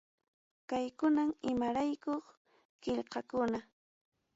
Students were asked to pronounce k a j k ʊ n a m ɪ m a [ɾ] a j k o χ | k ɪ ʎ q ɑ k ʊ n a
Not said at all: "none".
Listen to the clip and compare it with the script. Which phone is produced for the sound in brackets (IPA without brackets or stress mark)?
ɾ